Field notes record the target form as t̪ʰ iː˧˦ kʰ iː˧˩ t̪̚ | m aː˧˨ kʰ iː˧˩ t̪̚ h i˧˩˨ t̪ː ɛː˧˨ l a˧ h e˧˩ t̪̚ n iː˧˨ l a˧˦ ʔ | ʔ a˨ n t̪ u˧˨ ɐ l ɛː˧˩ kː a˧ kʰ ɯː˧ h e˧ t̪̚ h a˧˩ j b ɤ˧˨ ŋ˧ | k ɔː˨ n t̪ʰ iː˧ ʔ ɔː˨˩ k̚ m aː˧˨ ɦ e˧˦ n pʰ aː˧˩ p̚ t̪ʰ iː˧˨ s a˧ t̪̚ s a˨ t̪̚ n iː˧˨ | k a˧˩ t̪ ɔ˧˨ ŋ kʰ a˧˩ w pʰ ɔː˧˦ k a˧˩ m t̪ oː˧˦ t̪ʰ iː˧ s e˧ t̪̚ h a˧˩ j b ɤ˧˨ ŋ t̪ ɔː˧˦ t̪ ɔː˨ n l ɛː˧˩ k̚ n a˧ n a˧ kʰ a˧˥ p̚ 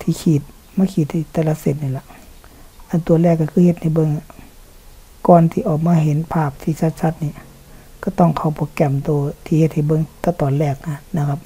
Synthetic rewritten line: t̪ʰ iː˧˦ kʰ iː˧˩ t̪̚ | m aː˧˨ kʰ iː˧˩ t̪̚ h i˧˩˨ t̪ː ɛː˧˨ l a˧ s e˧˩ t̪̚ n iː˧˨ l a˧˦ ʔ | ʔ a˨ n t̪ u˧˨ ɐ l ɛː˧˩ kː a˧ kʰ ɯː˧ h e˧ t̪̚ h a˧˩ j b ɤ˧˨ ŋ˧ | k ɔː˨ n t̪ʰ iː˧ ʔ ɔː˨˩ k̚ m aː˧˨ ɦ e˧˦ n pʰ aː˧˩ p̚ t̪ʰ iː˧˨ s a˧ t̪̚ s a˧˦ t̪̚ n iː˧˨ | k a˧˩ t̪ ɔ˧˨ ŋ kʰ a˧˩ w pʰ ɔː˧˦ k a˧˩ m t̪ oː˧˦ t̪ʰ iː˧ h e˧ t̪̚ h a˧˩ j b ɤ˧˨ ŋ t̪ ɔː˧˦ t̪ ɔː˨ n l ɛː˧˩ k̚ n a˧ n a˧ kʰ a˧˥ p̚

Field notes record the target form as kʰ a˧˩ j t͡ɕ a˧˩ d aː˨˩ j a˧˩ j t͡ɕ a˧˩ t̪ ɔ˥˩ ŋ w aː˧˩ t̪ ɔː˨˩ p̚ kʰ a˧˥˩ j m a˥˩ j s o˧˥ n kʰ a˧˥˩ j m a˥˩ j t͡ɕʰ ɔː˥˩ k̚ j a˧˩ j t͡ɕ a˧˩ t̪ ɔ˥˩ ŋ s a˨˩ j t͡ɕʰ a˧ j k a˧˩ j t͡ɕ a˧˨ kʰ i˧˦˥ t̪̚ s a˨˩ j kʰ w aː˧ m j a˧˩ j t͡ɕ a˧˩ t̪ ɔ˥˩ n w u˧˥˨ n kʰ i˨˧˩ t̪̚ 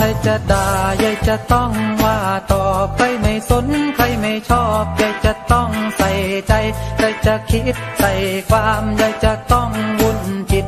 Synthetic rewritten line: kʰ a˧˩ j t͡ɕ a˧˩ d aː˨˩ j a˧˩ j t͡ɕ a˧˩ t̪ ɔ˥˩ ŋ w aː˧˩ t̪ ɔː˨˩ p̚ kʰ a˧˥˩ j m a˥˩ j s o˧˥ n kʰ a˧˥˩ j m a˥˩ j t͡ɕʰ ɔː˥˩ p̚ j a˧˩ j t͡ɕ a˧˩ t̪ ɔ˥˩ ŋ s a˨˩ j t͡ɕ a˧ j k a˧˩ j t͡ɕ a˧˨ kʰ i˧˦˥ t̪̚ s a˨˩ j kʰ w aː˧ m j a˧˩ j t͡ɕ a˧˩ t̪ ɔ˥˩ ŋ w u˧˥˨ n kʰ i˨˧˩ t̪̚

